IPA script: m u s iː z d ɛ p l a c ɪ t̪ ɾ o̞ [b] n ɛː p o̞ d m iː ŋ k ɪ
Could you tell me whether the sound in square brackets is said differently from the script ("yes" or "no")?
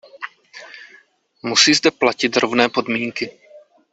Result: yes